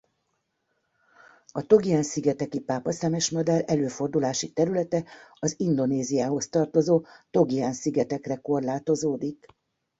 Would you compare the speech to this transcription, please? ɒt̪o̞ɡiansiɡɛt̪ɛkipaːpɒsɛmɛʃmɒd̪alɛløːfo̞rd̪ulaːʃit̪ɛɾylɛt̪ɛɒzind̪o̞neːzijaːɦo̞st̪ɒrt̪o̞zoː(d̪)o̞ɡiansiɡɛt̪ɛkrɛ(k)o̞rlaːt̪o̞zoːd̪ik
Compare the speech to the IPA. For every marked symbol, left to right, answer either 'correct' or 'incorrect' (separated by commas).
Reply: incorrect, correct